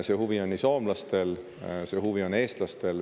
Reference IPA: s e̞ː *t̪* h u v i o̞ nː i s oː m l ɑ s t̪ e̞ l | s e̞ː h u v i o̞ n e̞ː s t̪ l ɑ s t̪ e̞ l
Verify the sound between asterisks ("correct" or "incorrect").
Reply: incorrect